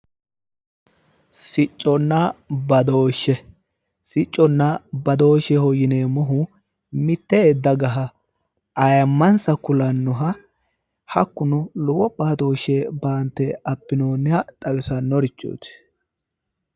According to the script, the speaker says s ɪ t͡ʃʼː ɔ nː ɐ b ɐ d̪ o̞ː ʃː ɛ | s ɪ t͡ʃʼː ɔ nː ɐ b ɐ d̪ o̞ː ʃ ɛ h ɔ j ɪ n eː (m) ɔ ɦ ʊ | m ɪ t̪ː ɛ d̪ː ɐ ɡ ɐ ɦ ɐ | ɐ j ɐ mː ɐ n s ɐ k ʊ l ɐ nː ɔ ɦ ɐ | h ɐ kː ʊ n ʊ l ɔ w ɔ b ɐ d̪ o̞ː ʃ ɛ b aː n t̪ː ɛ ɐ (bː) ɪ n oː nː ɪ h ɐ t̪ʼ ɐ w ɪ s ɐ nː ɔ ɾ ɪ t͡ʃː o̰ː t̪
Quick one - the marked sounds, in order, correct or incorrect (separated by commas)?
correct, incorrect